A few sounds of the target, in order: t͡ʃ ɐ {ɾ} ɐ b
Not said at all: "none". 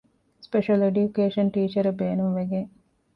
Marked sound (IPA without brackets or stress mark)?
ɾ